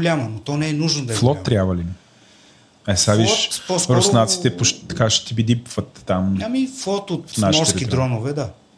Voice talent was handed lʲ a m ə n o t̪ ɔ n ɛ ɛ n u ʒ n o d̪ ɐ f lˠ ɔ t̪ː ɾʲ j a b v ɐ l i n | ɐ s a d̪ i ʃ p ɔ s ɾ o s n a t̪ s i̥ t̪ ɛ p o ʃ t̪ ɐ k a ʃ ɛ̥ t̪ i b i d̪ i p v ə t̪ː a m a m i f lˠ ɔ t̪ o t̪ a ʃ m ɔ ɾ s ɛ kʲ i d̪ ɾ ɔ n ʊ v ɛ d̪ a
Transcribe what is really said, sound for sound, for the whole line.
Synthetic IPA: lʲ a m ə n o t̪ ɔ n ɛ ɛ n u ʒ n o d̪ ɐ f lˠ ɔ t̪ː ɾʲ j a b v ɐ l i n | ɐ s a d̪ i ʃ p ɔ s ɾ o s n a t̪ s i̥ t̪ ɛ p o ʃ t̪ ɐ k a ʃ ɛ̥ t̪ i b i d̪ i p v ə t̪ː a m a m i f lˠ ɔ t̪ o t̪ a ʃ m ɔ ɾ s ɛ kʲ i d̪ ɾ ɔ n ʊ v ɛ d̪ a